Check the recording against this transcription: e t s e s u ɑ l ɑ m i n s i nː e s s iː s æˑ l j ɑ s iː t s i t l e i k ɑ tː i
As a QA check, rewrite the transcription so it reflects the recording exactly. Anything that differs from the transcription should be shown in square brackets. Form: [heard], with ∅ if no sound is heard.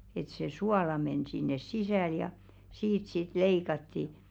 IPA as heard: e t s e s u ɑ l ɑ m [e] n s i nː e s s [i] s æˑ l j ɑ s iː t s i t l e i k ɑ tː i